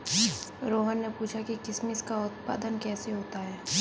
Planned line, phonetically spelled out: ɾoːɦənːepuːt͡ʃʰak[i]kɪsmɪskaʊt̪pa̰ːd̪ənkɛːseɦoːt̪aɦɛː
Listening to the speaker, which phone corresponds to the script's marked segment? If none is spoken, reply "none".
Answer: i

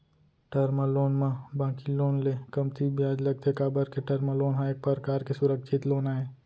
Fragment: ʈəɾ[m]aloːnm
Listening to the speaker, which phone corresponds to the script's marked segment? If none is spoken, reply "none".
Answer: m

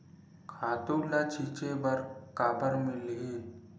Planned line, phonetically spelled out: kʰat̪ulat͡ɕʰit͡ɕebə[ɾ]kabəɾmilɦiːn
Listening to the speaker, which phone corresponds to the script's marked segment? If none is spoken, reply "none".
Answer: ɾ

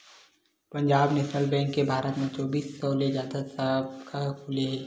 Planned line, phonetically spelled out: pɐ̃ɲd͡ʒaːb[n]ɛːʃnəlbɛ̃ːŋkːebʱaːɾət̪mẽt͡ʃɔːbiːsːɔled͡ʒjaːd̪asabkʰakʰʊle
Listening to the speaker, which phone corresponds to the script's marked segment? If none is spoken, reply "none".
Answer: n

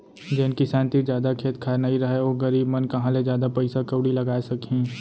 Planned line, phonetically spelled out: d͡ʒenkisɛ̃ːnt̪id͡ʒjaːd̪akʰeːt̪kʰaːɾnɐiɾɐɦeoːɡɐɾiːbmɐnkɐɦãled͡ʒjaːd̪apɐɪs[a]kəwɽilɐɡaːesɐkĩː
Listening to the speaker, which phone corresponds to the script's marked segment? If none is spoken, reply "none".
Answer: a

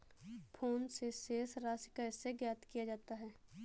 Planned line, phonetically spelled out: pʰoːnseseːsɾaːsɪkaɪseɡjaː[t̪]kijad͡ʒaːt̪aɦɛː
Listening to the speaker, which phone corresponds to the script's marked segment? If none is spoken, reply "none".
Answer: t̪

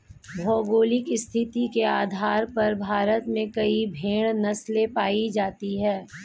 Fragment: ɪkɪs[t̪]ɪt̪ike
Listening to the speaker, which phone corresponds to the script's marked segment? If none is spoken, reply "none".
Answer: t̪ʰ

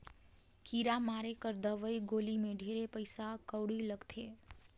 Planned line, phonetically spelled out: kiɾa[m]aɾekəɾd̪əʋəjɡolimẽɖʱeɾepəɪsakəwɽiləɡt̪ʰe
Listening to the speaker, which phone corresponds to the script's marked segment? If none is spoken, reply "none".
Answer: m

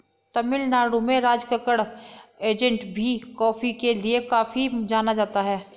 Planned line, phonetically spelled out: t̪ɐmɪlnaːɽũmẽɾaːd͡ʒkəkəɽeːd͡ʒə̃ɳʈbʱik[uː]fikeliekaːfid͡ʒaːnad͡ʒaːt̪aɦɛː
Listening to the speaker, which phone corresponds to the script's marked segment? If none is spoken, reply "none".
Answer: ɔː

